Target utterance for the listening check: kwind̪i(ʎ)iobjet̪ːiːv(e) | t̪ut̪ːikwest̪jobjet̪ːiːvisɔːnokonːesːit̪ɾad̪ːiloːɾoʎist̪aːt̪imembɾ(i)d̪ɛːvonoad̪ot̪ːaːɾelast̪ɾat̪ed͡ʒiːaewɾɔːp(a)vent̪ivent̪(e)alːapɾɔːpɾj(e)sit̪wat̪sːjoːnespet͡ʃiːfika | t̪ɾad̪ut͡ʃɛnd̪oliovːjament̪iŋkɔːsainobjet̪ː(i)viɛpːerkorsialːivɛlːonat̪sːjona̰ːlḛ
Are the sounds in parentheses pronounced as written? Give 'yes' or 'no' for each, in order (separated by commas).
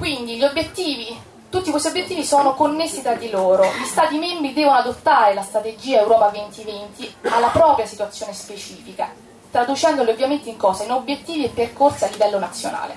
yes, no, yes, yes, no, no, no